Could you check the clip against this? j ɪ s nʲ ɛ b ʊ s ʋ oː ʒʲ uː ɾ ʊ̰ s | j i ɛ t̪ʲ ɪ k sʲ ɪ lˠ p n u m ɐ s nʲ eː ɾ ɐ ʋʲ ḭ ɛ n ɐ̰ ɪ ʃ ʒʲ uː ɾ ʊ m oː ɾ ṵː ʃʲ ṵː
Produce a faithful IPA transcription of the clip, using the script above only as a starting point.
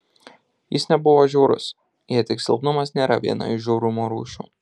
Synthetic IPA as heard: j ɪ s nʲ ɛ b ʊ ʋ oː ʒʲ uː ɾ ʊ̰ s | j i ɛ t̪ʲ ɪ k sʲ ɪ lˠ p n ʊ m ɐ s nʲ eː ɾ ɐ ʋʲ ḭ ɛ n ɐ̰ ɪ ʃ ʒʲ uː ɾ ʊ m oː ɾ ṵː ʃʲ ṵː